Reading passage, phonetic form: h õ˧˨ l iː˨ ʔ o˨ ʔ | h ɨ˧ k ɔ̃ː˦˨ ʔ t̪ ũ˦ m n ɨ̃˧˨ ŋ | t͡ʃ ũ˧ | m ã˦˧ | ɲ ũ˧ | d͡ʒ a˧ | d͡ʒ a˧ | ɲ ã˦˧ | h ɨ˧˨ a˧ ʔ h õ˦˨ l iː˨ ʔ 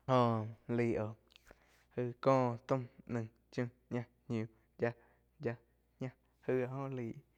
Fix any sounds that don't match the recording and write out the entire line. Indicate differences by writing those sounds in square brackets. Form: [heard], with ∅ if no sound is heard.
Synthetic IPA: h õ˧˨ l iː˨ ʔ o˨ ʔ | h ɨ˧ k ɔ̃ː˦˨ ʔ t̪ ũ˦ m n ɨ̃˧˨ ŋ | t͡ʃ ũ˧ | [ɲ] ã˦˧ | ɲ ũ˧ | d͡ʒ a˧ | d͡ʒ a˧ | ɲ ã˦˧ | h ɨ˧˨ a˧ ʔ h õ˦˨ l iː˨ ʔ

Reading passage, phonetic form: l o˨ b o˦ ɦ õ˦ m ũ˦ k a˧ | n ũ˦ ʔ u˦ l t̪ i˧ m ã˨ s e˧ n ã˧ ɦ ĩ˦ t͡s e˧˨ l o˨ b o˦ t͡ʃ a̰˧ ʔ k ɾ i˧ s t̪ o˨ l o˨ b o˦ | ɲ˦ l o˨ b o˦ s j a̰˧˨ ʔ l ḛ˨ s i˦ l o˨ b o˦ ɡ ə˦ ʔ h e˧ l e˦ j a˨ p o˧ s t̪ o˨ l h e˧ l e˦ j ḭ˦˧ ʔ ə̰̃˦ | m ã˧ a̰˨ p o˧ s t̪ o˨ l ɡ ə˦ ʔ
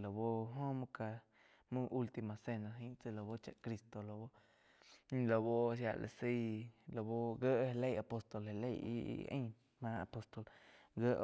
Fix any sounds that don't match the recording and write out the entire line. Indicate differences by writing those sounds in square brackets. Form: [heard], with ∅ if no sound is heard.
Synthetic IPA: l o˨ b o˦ ɦ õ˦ m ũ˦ k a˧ | [m] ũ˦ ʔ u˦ l t̪ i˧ m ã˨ s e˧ n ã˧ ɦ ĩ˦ t͡s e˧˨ l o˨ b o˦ t͡ʃ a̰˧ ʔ k ɾ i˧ s t̪ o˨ l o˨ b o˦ | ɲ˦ l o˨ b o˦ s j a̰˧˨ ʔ l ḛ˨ s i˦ l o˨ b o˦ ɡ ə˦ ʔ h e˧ l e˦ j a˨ p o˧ s t̪ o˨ l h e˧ l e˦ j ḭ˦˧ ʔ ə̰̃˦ | m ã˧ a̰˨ p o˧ s t̪ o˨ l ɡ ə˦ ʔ

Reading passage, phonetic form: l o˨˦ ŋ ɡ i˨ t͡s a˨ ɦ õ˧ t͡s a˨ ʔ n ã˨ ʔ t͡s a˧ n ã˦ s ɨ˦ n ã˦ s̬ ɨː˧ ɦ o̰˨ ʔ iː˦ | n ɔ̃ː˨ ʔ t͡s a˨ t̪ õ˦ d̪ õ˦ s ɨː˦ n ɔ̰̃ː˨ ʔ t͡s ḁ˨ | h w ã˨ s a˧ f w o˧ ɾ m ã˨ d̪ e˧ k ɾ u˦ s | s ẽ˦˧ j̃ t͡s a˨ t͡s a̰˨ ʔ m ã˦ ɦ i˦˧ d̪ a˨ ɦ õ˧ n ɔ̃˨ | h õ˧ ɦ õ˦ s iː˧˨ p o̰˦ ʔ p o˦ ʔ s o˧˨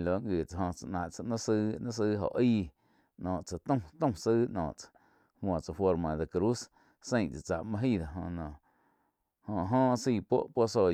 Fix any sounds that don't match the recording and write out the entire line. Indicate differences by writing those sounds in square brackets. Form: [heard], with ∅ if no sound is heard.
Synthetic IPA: l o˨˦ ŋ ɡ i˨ t͡s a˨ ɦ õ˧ t͡s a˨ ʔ n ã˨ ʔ t͡s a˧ n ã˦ s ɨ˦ n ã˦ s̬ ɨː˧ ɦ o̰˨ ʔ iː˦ | n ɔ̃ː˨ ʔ t͡s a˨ t̪ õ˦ [t̪] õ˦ s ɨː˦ n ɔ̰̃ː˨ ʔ t͡s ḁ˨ | h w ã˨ [t͡s] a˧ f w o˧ ɾ m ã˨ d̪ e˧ k ɾ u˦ s | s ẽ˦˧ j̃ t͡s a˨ t͡s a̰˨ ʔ m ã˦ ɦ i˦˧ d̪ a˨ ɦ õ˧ n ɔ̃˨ | h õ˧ ɦ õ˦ s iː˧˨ p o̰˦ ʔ p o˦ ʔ s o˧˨

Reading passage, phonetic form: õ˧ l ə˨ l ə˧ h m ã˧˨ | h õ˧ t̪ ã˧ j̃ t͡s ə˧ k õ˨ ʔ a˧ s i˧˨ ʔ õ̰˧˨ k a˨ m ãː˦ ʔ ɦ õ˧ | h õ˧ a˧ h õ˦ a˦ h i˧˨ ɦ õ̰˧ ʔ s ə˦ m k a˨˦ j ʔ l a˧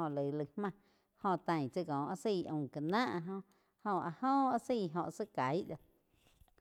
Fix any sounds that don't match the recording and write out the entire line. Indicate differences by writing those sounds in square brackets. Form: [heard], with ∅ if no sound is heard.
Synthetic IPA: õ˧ l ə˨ l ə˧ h m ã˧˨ | h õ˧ t̪ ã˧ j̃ t͡s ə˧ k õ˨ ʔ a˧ s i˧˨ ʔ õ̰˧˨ k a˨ [n] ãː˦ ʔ ɦ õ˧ | h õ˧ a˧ h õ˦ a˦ [s] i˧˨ ɦ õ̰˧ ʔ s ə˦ [∅] k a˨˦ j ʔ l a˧

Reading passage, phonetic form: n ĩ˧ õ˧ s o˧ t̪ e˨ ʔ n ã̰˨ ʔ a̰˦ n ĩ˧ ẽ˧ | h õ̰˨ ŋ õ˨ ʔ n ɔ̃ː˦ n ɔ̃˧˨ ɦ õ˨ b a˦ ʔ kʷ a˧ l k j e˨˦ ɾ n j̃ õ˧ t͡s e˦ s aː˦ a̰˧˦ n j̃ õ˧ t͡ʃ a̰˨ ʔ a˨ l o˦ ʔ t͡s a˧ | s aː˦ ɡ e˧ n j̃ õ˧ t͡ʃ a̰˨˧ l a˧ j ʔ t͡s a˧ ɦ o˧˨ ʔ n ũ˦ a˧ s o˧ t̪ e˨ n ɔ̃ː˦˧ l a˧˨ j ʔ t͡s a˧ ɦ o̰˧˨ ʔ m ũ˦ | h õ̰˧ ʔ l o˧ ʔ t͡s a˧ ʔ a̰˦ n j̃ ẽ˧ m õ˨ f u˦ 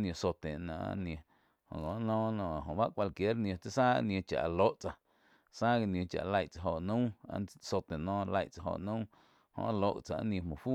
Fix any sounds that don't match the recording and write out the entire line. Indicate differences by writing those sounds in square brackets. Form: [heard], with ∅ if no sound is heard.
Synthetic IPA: n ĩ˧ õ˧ s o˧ t̪ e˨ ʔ n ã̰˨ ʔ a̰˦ n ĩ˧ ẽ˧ | h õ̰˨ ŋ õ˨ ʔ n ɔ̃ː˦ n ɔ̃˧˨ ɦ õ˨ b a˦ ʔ kʷ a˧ l k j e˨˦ ɾ n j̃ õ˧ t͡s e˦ s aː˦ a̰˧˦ n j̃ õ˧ t͡ʃ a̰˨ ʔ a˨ l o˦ ʔ t͡s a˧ | s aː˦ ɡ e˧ n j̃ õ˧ t͡ʃ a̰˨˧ l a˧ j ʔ t͡s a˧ ɦ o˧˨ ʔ n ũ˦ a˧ s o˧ t̪ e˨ n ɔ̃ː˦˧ l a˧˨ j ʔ t͡s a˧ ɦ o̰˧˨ ʔ [n] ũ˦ | h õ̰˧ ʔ l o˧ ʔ t͡s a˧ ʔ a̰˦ n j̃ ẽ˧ m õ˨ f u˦

